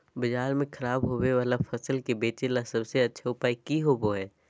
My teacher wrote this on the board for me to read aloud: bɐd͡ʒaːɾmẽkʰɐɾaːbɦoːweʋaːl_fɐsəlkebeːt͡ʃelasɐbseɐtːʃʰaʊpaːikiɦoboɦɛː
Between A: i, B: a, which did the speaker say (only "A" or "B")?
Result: B